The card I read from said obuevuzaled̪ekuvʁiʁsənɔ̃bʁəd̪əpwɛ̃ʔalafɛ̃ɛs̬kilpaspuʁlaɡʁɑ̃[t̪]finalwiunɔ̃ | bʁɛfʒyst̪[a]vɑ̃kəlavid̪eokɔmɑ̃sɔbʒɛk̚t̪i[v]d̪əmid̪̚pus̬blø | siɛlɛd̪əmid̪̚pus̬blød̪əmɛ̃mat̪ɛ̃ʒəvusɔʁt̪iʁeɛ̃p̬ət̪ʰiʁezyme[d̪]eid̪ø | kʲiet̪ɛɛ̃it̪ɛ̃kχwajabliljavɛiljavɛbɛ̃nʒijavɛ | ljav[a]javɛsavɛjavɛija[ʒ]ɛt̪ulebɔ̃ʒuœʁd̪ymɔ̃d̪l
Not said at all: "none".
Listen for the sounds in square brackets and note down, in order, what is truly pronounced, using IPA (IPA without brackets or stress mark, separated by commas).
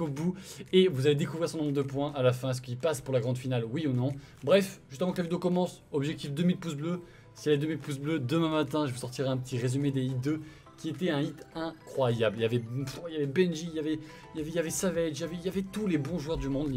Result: d̪, ə, f, d̪, ɛ, v